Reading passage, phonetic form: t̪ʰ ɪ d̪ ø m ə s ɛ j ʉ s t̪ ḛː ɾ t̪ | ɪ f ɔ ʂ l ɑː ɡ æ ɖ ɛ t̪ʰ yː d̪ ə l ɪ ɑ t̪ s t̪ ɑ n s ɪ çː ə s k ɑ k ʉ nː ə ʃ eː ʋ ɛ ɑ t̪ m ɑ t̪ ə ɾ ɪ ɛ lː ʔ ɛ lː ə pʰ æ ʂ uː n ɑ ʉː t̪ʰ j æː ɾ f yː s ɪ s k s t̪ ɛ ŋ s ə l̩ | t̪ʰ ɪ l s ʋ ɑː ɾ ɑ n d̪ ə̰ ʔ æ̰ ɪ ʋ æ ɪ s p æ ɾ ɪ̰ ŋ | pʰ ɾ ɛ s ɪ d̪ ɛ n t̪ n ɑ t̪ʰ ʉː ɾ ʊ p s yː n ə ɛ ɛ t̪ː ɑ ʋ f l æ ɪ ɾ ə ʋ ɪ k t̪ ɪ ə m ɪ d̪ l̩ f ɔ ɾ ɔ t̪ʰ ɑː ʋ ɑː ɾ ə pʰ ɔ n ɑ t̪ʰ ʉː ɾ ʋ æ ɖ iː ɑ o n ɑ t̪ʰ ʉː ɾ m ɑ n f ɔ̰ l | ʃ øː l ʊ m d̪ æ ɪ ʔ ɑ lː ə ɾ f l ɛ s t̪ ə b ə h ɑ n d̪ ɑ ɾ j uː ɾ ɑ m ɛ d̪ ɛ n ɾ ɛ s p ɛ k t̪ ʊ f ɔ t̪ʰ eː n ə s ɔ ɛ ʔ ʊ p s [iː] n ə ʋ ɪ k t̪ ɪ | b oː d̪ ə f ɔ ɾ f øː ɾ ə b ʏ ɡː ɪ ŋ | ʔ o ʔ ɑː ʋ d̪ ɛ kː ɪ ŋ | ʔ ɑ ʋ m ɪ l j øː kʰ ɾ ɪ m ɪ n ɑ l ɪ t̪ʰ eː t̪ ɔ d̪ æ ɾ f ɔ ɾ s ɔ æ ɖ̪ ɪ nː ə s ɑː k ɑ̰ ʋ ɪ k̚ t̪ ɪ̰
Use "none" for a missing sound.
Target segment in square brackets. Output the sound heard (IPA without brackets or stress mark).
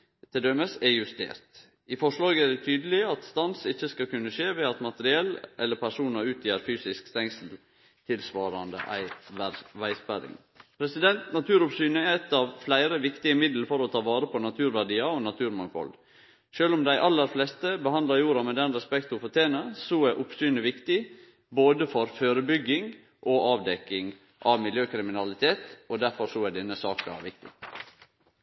yː